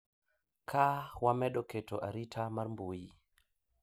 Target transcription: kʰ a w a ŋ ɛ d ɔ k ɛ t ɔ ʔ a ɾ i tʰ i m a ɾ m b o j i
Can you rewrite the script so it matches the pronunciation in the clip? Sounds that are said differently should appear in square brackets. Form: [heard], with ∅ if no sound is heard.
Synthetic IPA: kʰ a w a [m] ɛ [ɗ] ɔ k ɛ t ɔ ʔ a ɾ i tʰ [a] m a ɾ m b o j i

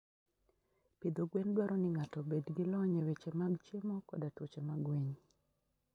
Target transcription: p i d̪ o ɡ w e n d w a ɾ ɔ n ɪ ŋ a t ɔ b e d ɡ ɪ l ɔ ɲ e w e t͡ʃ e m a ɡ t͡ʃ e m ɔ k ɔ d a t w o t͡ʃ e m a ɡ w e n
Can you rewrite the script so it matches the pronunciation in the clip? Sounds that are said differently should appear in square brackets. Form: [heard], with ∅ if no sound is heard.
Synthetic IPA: p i d̪ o ɡ w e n d w a ɾ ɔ n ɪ ŋ a t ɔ b e d ɡ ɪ l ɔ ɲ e w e t͡ʃ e m a ɡ t͡ʃ e m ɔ k ɔ d a t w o t͡ʃ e m a ɡ w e [ɲ]

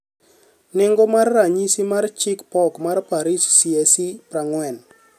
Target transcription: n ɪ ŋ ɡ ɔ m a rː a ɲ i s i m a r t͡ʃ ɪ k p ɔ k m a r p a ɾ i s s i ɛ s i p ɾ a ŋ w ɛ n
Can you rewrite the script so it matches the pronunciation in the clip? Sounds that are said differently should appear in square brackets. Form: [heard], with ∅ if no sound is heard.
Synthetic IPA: n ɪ ŋ ɡ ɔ m a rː a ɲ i s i m a r t͡ʃ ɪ k p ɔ k m a r p a ɾ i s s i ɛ s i p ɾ a ŋ w ɛ n

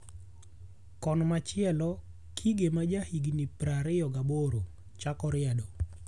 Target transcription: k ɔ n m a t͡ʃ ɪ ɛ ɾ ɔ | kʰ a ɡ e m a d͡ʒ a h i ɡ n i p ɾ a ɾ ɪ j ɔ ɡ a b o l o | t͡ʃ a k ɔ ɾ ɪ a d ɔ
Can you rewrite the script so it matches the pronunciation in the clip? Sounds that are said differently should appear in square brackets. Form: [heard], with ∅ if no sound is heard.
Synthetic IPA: k ɔ n m a t͡ʃ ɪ ɛ [l] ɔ | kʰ [i] ɡ e m a d͡ʒ a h i ɡ n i p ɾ a ɾ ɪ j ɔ ɡ a b o [ɾ] o | t͡ʃ a k ɔ ɾ ɪ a d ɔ

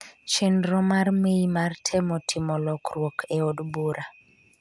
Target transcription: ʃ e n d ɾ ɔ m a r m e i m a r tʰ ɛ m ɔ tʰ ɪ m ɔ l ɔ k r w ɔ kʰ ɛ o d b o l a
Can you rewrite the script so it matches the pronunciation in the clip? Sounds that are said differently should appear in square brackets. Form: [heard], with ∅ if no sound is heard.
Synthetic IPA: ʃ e n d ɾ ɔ m a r m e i m a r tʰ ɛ m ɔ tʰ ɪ m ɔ l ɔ k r w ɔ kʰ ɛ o d b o [ɾ] a

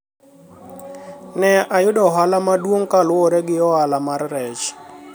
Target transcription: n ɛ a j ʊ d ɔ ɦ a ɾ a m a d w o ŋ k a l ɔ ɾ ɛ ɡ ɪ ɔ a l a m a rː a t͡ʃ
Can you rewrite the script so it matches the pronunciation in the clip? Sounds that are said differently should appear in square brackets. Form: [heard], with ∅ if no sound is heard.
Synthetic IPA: n ɛ a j ʊ d ɔ ɦ a [l] a m a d w o ŋ k a l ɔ ɾ ɛ ɡ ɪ ɔ a l a m a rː [ɛ] t͡ʃ

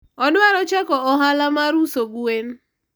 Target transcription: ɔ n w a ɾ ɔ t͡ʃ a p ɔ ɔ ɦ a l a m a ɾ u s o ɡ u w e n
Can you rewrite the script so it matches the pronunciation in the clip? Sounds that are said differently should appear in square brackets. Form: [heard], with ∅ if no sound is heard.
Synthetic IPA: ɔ n w a ɾ ɔ t͡ʃ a [k] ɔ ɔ ɦ a l a m a ɾ u s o ɡ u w e n

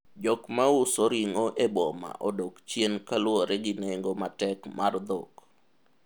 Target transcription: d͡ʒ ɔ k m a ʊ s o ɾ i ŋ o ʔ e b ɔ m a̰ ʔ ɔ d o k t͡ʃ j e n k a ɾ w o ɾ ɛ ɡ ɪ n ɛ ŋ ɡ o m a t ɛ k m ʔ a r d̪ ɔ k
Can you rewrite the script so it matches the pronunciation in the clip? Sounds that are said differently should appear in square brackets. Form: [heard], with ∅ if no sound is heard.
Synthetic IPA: d͡ʒ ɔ k m a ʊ s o ɾ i ŋ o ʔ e b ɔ m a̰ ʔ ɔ d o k t͡ʃ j e n k a [l] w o ɾ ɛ ɡ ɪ n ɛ ŋ ɡ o m a t ɛ k m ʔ a r d̪ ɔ k

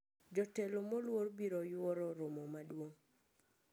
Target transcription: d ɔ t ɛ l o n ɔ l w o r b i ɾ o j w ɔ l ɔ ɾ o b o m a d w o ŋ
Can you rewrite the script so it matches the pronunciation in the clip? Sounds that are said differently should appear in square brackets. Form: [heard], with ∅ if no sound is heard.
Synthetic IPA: [d͡ʒ] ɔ t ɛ l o [m] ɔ l w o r b i ɾ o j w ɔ [ɾ] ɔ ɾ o [m] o m a d w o ŋ

